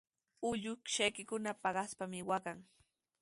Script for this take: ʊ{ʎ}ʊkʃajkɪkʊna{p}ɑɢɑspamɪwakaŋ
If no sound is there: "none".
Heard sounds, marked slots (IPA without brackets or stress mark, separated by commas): ʎ, p